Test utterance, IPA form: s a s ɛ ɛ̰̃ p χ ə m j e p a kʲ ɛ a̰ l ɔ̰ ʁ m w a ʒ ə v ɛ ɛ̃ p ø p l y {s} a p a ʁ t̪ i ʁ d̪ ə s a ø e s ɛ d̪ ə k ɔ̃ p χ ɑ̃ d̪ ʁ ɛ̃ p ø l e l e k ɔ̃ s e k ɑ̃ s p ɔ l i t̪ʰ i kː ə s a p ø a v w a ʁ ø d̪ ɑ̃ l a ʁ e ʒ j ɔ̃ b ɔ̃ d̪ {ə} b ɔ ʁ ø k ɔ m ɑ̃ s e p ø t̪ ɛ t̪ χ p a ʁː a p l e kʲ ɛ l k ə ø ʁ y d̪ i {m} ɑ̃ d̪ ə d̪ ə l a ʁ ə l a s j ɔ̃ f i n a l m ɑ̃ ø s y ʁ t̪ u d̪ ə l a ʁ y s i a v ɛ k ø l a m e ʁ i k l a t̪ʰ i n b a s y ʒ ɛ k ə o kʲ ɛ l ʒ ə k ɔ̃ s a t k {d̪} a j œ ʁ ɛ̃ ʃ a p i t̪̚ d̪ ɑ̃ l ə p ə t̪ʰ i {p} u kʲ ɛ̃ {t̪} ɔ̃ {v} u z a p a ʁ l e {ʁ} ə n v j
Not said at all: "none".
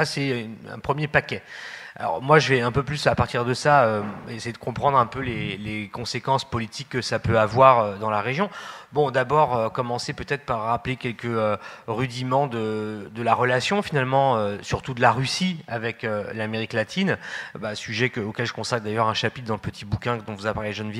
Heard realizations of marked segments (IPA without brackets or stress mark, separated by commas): s, a, m, d̪, b, d̪, v, ʒ